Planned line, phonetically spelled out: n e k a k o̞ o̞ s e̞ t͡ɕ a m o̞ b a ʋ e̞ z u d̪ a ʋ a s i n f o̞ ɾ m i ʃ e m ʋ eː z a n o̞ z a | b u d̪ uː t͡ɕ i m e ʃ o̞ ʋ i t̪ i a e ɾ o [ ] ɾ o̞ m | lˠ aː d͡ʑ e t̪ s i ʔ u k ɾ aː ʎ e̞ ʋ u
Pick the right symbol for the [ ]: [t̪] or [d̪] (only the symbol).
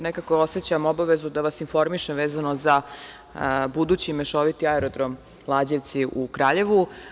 d̪